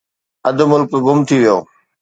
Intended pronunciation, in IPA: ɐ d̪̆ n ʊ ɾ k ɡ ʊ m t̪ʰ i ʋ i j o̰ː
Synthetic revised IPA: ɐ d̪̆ m ʊ l k ɡ ʊ m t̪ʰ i ʋ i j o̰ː